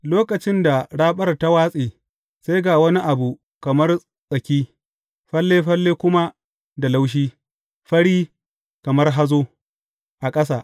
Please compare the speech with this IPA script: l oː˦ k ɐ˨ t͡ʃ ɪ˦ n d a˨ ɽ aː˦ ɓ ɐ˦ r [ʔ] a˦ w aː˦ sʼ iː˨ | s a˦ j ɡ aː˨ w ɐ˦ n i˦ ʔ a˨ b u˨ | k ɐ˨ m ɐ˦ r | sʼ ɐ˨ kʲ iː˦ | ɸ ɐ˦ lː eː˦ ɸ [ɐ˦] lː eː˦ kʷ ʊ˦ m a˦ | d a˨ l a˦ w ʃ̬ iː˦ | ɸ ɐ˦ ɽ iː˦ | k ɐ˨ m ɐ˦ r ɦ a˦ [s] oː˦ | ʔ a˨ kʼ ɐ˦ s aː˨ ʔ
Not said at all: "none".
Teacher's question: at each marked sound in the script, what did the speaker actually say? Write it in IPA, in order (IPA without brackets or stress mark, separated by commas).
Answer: t, ɐ˦, z